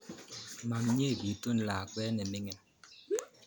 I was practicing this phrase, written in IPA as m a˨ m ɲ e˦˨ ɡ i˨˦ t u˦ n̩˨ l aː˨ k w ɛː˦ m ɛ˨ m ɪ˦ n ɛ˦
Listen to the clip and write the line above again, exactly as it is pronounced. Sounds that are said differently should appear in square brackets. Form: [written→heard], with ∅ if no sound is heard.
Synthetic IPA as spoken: m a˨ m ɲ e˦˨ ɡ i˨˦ t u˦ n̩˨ l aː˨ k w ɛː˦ [m→n] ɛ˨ m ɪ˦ [n→ŋ] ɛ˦